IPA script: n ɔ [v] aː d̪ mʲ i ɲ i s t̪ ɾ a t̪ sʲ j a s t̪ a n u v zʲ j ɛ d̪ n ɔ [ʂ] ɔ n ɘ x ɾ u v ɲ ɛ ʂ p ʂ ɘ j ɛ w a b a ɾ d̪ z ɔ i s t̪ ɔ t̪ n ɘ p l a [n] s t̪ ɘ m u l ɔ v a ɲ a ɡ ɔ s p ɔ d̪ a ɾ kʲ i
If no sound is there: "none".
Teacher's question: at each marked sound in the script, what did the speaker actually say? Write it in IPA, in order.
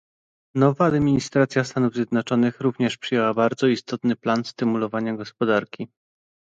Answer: v, t͡ʂ, n

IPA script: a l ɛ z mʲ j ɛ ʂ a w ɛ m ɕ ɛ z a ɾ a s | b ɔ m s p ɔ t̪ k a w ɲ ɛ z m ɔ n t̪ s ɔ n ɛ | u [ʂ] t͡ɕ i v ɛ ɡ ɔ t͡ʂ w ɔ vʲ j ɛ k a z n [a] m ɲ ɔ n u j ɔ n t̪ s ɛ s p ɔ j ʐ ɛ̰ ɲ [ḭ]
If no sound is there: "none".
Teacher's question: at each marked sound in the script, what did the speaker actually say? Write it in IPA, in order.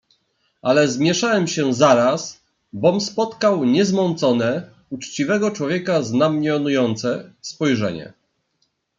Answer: t͡ʂ, a, ɛ̰

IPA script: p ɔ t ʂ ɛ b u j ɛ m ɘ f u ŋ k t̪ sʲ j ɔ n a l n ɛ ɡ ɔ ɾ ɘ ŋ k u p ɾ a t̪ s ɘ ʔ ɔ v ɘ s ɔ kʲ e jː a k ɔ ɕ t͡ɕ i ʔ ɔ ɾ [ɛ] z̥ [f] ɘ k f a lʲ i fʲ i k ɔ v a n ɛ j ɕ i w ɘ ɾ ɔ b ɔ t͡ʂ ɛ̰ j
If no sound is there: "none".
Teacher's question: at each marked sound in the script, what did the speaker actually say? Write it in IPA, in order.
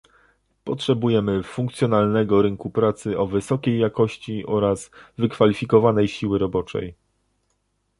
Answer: a, v

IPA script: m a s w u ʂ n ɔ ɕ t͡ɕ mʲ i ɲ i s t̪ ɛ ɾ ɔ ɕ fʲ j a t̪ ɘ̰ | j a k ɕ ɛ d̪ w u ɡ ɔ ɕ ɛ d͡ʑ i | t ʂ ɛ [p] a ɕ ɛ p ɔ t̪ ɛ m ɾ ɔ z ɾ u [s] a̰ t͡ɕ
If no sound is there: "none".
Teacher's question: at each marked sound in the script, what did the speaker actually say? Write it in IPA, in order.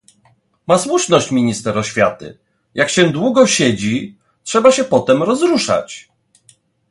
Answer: b, ʂ

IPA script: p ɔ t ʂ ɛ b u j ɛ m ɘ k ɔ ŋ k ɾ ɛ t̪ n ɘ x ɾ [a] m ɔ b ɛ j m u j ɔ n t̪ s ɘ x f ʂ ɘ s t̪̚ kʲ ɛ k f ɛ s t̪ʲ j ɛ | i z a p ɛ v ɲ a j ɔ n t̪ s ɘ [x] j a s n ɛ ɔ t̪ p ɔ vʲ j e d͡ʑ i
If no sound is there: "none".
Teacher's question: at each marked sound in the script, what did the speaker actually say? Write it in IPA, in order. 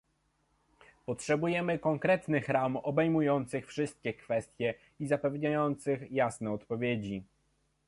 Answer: a, x

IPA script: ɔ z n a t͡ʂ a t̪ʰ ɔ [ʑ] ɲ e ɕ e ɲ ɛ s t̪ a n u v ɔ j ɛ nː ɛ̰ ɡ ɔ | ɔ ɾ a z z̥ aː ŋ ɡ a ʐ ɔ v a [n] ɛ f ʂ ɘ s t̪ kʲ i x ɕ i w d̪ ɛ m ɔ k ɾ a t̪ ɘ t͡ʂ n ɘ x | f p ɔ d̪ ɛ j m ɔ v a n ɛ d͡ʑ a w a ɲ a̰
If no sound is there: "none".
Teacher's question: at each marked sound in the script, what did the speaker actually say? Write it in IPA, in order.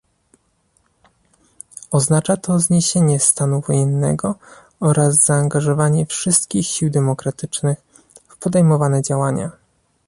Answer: z, ɲ

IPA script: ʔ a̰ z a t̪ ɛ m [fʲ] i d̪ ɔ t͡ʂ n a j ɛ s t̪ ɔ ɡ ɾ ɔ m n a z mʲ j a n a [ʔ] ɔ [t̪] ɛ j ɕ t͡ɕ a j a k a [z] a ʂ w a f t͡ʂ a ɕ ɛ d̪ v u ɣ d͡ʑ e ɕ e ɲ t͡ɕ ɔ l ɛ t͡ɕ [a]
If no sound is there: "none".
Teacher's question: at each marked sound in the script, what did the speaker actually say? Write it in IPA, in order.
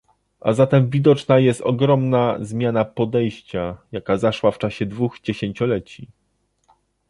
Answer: vʲ, p, d̪, z, i

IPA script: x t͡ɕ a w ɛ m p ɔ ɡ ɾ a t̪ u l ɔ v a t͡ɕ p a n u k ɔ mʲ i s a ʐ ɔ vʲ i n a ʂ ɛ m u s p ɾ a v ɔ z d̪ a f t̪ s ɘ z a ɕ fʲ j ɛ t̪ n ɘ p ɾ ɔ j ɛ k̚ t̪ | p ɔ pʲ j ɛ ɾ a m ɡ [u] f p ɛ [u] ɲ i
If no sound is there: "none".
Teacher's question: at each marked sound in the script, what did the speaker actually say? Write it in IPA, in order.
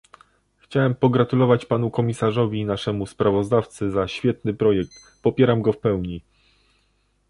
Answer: ɔ, w

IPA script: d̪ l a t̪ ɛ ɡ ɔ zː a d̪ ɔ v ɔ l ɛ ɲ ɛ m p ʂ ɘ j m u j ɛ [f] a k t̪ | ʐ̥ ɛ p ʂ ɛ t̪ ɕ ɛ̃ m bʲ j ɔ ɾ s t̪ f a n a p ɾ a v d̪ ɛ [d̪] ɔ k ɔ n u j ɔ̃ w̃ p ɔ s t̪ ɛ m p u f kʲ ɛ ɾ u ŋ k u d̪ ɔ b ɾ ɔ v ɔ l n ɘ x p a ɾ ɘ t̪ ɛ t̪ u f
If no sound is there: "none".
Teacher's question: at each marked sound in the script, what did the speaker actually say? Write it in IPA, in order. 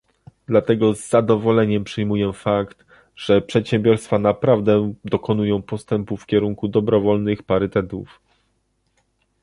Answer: f, d̪

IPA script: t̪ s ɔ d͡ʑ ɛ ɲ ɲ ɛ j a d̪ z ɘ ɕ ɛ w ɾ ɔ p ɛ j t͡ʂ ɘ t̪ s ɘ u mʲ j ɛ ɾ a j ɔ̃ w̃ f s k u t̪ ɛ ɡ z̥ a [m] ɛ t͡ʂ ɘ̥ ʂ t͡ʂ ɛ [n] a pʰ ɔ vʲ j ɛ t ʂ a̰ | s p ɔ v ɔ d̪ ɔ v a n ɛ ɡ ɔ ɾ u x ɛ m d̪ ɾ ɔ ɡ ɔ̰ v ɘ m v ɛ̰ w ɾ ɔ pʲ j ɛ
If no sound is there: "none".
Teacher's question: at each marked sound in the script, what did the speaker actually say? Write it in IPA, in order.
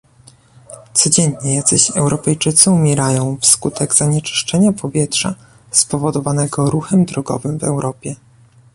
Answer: ɲ, ɲ

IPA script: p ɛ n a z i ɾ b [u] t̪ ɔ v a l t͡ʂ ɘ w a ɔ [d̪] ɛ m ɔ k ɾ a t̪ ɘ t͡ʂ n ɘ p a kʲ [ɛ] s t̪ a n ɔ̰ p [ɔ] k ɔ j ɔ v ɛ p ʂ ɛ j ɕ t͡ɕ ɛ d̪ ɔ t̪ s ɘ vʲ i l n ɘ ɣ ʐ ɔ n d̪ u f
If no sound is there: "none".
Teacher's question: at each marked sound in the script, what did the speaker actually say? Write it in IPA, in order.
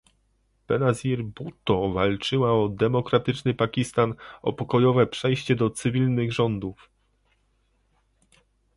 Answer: u, d̪, i, ɔ

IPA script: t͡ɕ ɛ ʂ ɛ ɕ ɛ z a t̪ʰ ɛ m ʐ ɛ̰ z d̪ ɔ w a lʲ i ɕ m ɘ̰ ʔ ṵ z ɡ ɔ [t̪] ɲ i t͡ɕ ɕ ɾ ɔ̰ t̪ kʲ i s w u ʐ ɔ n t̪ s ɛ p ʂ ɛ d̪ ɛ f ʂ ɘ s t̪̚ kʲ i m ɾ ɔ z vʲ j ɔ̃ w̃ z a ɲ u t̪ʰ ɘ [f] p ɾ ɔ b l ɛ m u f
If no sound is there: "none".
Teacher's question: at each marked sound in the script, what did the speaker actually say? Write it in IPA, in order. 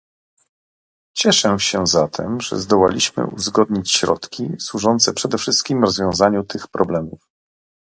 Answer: d̪, x

